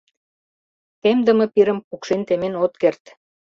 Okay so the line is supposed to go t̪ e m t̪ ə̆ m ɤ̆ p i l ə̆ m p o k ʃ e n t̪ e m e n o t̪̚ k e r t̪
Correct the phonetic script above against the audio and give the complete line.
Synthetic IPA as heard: t̪ e m d̪ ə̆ m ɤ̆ p i ɾ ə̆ m p u k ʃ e n t̪ e m e n o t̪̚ k e r t̪